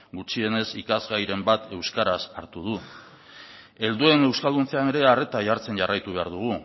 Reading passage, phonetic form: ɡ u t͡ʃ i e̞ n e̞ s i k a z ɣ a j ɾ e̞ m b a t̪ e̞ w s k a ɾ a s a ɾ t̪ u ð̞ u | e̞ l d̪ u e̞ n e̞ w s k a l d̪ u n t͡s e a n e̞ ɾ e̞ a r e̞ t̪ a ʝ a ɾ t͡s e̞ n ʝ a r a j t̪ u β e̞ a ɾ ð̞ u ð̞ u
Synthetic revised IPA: ɡ u t͡ʃ i e̞ n e̞ s i k a z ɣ a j ɾ e̞ m b a t̪ e̞ w s k a ɾ a s a ɾ t̪ u ð̞ u | e̞ l d̪ u e̞ n e̞ w s k a l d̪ u n t͡s e a n e̞ ɾ e̞ a r e̞ t̪ a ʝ a ɾ t͡s e̞ n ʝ a r a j t̪ u β e̞ a ɾ ð̞ u ɣ̞ u